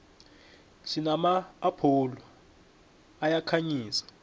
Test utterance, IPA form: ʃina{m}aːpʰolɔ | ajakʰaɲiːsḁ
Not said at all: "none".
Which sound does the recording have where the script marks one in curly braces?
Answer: m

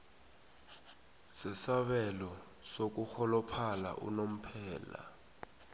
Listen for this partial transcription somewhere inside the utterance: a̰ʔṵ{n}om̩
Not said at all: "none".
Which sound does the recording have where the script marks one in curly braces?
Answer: n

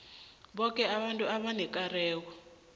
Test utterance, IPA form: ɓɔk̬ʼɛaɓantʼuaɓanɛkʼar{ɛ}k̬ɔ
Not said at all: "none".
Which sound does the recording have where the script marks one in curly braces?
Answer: ɛː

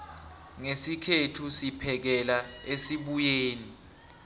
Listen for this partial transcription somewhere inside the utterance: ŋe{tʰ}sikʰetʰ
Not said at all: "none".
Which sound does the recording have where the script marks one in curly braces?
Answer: none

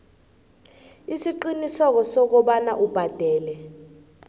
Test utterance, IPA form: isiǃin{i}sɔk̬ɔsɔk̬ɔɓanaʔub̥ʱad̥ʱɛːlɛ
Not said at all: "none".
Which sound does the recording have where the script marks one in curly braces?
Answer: i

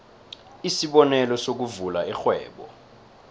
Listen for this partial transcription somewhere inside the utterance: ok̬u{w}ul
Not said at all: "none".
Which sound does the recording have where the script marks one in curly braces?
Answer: v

